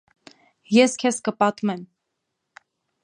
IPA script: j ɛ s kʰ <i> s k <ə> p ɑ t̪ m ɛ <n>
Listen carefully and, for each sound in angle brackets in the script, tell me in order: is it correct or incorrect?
incorrect, correct, incorrect

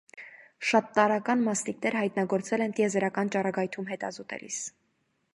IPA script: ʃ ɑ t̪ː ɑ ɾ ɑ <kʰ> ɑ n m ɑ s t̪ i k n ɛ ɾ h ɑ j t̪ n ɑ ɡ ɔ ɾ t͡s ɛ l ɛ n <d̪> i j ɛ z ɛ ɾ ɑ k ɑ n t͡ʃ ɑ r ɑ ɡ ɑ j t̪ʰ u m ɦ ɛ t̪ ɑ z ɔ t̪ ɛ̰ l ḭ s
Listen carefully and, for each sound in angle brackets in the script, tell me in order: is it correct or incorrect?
incorrect, incorrect

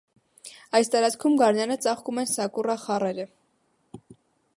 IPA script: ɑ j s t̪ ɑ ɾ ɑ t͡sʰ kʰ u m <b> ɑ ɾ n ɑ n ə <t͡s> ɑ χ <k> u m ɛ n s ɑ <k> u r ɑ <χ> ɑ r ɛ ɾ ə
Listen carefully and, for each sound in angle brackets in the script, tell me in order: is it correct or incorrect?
incorrect, correct, correct, correct, correct

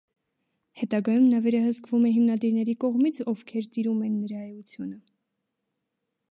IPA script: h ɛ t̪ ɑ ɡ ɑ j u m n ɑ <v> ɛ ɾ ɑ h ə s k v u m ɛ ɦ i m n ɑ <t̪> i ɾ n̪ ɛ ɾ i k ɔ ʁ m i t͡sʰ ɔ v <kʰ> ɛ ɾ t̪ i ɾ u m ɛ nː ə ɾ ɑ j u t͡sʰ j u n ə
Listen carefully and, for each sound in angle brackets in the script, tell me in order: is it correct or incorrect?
correct, incorrect, correct

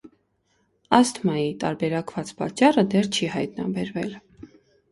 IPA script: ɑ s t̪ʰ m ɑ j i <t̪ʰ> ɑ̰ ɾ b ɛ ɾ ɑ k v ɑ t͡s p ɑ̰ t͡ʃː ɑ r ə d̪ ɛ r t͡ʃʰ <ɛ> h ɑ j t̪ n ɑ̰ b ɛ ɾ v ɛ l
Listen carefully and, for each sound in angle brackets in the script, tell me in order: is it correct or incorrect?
incorrect, incorrect

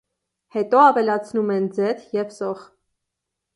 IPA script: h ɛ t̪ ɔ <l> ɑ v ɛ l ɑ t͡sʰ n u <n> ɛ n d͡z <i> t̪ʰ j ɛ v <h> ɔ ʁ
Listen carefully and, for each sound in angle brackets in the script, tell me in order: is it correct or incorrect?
incorrect, incorrect, incorrect, incorrect

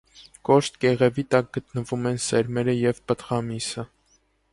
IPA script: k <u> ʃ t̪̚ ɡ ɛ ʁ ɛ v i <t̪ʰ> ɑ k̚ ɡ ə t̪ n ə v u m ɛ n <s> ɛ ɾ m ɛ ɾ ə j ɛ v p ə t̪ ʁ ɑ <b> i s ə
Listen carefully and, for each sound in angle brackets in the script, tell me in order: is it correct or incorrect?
incorrect, incorrect, correct, incorrect

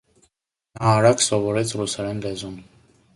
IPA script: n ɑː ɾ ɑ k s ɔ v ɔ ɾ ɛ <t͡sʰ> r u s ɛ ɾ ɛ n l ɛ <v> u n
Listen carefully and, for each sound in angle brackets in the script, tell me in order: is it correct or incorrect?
correct, incorrect

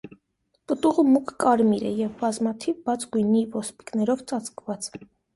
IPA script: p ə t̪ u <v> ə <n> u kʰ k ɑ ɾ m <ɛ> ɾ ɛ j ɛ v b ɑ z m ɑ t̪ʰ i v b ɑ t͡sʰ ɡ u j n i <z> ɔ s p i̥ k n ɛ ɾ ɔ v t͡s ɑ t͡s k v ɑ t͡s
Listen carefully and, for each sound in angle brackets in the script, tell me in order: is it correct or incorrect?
incorrect, incorrect, incorrect, incorrect

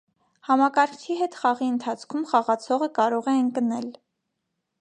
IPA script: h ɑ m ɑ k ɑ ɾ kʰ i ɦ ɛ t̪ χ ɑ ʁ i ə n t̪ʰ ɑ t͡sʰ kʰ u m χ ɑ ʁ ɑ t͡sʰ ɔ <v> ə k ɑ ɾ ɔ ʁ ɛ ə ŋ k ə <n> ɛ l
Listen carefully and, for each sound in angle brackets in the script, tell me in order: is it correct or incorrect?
incorrect, correct

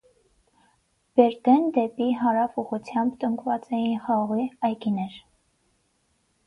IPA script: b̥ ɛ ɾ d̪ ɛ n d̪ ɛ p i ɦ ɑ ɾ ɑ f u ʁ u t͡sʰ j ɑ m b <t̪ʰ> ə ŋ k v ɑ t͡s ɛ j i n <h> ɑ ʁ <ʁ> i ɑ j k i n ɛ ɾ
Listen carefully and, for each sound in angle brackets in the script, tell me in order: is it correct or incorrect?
incorrect, incorrect, correct

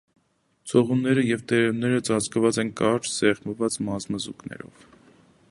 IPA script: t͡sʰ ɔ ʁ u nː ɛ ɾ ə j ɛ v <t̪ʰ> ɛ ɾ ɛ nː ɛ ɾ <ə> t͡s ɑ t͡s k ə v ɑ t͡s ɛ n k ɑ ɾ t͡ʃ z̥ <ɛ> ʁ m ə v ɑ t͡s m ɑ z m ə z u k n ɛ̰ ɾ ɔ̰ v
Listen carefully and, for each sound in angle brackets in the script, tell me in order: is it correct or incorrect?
incorrect, correct, correct

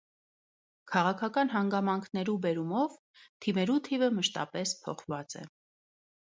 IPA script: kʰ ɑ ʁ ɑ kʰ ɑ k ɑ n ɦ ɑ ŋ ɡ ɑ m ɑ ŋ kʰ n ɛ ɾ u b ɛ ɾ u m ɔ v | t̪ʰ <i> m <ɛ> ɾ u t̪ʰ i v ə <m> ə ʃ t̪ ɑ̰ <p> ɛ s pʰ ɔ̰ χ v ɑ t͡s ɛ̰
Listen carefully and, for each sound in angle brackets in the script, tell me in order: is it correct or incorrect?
correct, correct, correct, correct

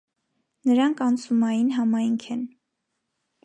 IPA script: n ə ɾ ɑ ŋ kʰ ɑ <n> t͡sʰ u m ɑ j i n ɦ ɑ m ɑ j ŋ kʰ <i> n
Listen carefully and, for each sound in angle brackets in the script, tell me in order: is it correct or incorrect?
correct, incorrect

